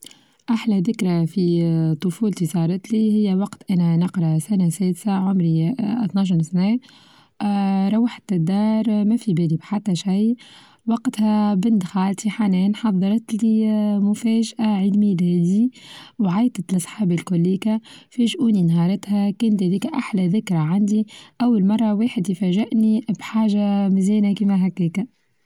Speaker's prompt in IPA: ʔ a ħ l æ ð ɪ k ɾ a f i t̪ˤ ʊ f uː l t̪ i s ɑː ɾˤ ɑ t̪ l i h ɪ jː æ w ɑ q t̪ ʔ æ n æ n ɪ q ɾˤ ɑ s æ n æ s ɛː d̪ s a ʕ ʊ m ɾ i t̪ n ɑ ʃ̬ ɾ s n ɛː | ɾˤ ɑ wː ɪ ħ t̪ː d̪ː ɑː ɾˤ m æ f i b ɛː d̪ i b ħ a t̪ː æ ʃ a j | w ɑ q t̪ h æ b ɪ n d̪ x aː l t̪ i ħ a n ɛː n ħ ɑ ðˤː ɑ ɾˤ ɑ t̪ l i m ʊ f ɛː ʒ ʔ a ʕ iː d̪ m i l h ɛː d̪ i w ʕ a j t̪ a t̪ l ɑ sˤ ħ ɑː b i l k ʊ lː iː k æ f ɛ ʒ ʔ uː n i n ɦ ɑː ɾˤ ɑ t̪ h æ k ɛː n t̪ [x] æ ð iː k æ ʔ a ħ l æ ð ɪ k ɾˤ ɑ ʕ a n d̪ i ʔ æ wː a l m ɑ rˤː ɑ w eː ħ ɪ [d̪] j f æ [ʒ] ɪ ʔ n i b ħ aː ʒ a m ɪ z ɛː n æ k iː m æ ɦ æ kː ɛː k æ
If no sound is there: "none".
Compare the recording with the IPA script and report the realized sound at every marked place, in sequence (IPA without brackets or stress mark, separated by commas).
h, d̪, ʒ